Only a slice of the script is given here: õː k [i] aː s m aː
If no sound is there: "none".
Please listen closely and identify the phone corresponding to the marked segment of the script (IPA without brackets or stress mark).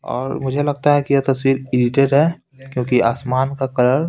i